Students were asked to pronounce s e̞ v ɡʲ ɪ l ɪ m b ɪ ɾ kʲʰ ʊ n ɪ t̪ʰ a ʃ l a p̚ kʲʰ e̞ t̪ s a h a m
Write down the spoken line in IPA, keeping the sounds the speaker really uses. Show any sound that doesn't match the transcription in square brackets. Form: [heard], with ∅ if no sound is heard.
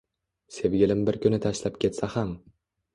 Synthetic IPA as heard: s e̞ v ɡʲ ɪ l ɪ m b ɪ ɾ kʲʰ ʊ n ɪ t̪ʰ a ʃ l a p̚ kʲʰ e̞ t̪ s a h a m

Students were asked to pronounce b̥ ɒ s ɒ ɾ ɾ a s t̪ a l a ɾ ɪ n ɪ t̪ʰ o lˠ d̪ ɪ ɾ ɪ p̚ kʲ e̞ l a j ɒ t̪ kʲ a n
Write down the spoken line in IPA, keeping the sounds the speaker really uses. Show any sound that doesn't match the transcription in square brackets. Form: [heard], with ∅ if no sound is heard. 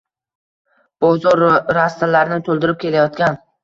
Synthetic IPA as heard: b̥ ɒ [z] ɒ ɾ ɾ a s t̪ a l a ɾ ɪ n ɪ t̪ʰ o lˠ d̪ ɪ ɾ ɪ p̚ kʲ e̞ l a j ɒ t̪ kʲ a n

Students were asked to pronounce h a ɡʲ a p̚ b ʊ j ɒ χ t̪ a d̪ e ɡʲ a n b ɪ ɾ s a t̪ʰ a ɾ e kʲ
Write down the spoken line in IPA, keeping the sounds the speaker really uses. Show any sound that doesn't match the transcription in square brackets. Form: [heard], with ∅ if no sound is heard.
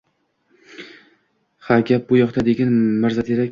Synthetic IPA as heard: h a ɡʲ a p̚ b ʊ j ɒ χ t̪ a d̪ e ɡʲ a n [m] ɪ ɾ [z] a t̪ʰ [e] ɾ [a] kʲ

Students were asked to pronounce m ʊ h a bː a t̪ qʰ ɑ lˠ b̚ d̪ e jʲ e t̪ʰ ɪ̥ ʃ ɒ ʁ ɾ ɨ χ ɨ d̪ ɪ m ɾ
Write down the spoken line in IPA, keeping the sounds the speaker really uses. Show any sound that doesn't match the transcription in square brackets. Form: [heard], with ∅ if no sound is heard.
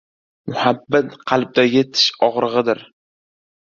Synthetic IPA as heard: m ʊ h a bː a t̪ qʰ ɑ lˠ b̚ d̪ [a] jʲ e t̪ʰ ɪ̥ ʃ ɒ ʁ ɾ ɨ [ʁ] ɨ d̪ ɪ [∅] ɾ

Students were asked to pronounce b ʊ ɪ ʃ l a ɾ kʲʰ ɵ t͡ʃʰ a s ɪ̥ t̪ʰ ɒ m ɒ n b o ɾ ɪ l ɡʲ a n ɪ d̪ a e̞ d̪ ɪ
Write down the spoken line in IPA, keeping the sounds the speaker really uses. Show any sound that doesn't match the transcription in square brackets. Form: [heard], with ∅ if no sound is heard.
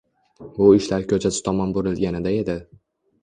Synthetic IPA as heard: b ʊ ɪ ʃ l a ɾ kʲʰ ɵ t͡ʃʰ a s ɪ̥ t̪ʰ ɒ m ɒ n b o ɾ ɪ l ɡʲ a n ɪ d̪ a e̞ d̪ ɪ

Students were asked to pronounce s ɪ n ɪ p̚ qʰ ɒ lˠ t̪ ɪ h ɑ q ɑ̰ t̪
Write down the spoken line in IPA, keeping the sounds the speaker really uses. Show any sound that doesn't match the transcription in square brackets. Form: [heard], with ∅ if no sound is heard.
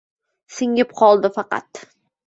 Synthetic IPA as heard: s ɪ [ŋ] ɪ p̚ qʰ ɒ lˠ [d̪] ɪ [f] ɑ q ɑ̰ t̪

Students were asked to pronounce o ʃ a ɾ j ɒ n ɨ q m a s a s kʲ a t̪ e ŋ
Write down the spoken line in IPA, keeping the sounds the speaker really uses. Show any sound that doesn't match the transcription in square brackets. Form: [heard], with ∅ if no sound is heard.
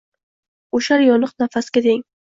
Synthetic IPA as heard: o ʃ a ɾ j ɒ n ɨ q [n] a [f] a s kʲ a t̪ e ŋ

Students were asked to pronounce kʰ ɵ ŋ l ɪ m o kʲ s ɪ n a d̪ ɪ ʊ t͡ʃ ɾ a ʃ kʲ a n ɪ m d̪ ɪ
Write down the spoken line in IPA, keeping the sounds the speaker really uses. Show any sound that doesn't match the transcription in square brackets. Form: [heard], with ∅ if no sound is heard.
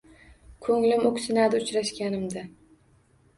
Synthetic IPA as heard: kʰ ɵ ŋ l ɪ m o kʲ s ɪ n a d̪ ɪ ʊ t͡ʃ ɾ a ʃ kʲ a n ɪ m d̪ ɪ

